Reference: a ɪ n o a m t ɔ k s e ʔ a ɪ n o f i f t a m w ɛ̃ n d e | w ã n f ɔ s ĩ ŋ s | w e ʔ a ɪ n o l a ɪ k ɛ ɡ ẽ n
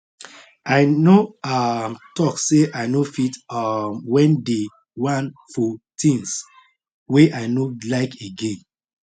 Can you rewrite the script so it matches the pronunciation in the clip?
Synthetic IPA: a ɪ n o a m t ɔ k s e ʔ a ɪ n o f i t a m w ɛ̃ n d e | w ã n f ɔ t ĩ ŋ s | w e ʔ a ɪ n o l a ɪ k e ɡ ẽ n